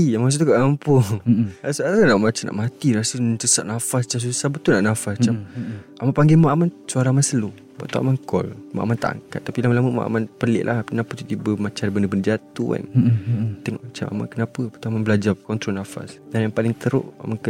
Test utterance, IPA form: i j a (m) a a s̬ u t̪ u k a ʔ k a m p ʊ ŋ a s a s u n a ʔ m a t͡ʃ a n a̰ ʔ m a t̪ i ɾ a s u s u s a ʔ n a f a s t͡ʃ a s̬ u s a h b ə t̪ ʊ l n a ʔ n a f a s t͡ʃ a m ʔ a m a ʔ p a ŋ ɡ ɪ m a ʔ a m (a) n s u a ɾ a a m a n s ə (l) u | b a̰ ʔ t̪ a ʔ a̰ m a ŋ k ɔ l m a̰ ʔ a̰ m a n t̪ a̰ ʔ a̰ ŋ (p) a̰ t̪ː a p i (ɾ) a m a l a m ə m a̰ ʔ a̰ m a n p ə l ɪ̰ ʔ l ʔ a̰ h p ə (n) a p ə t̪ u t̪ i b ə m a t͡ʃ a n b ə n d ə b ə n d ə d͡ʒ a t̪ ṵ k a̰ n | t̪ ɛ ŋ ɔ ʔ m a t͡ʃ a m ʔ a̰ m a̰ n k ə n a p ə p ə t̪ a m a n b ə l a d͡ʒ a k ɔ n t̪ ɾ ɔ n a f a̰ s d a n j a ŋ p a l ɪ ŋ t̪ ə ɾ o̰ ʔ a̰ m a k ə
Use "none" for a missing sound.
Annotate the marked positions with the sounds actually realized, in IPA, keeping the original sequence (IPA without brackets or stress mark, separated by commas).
m, a, l, k, l, n